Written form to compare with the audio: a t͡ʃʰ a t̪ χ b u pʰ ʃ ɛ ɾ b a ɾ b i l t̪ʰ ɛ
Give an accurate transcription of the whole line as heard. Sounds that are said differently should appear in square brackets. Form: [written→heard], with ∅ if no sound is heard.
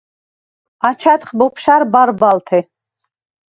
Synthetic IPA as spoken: a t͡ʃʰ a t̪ χ b [u→ɔ] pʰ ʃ [ɛ→a] ɾ b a ɾ b [i→a] l t̪ʰ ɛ